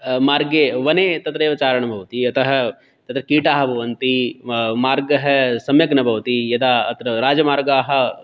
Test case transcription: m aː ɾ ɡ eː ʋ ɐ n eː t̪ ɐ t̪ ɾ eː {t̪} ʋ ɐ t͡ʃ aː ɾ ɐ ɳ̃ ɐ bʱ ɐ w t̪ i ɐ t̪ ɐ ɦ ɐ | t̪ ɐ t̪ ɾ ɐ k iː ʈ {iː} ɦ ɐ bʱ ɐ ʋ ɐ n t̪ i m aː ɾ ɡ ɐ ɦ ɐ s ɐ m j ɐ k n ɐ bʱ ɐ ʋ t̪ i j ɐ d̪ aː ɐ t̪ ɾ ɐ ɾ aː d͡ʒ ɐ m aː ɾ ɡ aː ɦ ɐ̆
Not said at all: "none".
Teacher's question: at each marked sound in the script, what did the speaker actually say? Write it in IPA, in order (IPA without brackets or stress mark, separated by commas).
none, aː